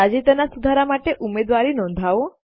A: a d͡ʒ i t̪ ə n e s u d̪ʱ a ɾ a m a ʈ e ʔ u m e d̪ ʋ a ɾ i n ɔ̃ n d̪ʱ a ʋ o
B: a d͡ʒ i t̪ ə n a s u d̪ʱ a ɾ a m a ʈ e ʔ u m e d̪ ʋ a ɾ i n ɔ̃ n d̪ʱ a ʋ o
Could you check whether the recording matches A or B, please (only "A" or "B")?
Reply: B